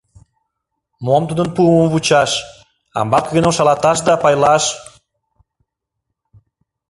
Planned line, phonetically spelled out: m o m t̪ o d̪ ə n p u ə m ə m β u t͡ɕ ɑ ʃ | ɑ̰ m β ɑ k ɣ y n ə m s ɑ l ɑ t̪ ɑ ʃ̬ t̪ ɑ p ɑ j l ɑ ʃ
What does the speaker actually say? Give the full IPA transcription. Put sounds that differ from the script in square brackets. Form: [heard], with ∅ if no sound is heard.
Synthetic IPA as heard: m o m t̪ [u] d̪ ə n p u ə m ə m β u t͡ɕ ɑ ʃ | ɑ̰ m [b] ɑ k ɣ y n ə m [ʃ] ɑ l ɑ t̪ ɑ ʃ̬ [d̪] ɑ p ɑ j l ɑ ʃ